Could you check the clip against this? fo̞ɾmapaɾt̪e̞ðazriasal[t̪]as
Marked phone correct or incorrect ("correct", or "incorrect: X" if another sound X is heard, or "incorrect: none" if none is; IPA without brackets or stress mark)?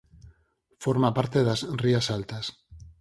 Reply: correct